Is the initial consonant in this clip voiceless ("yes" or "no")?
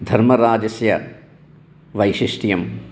no